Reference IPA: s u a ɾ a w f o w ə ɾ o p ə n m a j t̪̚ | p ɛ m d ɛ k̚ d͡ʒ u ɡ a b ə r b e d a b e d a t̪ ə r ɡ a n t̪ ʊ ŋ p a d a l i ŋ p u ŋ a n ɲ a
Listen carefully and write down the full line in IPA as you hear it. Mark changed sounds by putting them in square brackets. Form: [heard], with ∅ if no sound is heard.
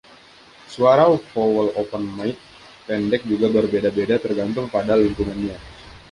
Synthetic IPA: s u a ɾ a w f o w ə [l] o p ə n m a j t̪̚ | p ɛ [n] d ɛ k̚ d͡ʒ u ɡ a b ə r b e d a b e d a t̪ ə r ɡ a n t̪ ʊ ŋ p a d a l i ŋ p u ŋ a n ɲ a